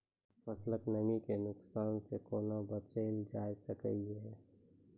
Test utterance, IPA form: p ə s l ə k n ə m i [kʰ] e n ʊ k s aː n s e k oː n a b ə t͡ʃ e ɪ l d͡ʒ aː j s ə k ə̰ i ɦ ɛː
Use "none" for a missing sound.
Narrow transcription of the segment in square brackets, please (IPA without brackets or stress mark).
k